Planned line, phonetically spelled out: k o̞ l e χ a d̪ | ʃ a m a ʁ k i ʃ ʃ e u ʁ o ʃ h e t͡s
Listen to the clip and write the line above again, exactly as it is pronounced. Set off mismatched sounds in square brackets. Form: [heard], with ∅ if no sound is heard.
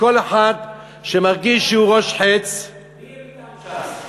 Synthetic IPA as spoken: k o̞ l e [ħ] a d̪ | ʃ [e] m a ʁ [ɡ] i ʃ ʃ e u ʁ o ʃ [ħ] e t͡s